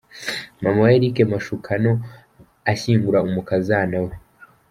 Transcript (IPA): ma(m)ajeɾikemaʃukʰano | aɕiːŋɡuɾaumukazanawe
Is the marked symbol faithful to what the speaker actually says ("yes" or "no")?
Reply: yes